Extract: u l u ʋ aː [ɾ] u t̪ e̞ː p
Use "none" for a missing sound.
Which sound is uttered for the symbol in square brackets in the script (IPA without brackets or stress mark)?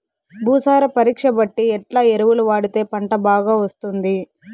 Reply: ɽ